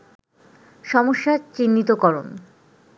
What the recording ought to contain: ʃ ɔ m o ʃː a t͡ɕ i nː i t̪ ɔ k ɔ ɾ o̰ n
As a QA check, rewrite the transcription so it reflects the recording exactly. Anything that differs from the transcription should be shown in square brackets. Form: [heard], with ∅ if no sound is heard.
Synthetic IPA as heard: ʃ ɔ m o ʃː a t͡ɕ i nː i t̪ [o] k ɔ ɾ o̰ n